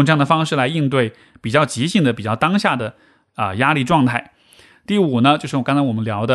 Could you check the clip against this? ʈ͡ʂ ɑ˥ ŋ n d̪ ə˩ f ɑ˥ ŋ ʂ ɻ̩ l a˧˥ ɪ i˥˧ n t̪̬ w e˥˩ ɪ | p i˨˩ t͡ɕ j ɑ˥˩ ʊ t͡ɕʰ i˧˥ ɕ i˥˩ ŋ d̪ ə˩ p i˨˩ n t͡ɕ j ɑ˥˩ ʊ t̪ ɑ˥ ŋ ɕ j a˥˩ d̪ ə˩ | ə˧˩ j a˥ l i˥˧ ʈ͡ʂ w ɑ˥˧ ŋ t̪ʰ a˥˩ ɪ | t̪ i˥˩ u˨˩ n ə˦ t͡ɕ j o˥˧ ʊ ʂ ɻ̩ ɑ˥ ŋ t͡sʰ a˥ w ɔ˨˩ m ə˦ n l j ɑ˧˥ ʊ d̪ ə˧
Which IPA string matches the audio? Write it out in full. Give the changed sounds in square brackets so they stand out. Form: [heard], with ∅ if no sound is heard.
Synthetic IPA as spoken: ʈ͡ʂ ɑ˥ ŋ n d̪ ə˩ f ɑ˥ ŋ ʂ ɻ̩ l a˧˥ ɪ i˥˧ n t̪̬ w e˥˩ ɪ | p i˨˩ t͡ɕ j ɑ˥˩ ʊ [t͡ɕ] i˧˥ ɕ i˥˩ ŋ d̪ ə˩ p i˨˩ [∅] t͡ɕ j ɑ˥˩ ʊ t̪ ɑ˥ ŋ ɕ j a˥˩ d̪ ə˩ | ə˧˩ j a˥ l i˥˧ ʈ͡ʂ w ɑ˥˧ ŋ t̪ʰ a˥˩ ɪ | t̪ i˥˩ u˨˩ n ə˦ t͡ɕ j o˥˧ ʊ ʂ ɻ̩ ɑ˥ ŋ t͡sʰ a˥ w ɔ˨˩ m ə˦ n l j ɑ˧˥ ʊ d̪ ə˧